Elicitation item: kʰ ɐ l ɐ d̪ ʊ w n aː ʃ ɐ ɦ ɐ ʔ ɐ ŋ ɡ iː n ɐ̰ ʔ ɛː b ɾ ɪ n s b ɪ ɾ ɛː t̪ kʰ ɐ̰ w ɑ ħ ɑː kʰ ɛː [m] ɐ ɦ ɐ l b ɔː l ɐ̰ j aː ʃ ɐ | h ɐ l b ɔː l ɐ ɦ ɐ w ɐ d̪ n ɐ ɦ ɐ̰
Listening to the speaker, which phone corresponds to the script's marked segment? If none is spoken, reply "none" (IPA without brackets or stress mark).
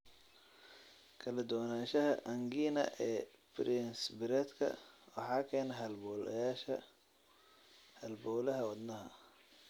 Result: n